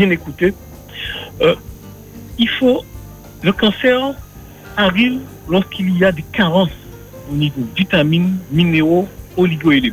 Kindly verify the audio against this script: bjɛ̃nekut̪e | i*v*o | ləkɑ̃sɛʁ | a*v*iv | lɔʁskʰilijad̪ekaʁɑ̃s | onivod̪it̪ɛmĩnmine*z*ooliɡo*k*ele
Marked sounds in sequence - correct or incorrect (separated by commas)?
incorrect, incorrect, incorrect, incorrect